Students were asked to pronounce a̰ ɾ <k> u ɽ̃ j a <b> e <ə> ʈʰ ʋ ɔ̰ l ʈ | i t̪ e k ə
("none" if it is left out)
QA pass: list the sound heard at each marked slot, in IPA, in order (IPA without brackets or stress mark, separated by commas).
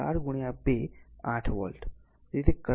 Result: ɡ, b, a